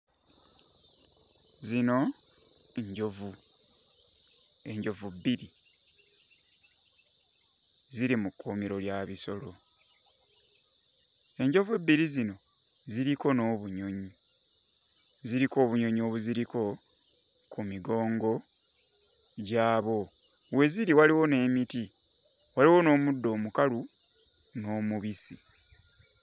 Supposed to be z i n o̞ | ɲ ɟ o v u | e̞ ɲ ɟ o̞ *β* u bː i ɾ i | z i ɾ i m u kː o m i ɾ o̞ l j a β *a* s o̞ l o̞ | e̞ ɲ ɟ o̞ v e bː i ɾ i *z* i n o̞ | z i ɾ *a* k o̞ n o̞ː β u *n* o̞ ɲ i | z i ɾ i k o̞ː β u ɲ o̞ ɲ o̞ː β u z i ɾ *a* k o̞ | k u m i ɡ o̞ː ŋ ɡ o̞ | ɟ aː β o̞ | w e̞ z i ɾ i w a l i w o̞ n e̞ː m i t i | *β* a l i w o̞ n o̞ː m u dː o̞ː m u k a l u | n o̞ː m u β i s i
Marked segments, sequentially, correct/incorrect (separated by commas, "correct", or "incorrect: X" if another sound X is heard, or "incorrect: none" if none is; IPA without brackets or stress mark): incorrect: v, incorrect: i, correct, incorrect: i, incorrect: ɲ, incorrect: i, incorrect: w